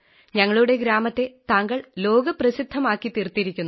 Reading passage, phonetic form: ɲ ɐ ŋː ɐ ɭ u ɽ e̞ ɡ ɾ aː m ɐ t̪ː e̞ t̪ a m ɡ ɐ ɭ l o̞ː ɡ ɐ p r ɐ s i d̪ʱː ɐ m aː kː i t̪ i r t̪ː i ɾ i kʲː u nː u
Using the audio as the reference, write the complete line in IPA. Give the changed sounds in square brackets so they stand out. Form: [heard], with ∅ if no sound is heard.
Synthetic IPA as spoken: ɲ ɐ ŋː ɐ ɭ u ɽ e̞ ɡ ɾ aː m ɐ t̪ː e̞ t̪ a [ŋ] ɡ ɐ ɭ l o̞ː ɡ ɐ p r ɐ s i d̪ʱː ɐ m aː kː i t̪ i r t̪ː i ɾ i kʲː u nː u